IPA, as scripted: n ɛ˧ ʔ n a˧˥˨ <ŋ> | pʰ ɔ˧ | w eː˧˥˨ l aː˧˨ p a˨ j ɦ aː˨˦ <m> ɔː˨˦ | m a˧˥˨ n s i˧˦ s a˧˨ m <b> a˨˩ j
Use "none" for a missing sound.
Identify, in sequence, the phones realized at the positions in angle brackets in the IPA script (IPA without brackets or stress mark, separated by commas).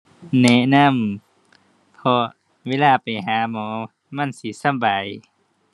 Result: m, m, b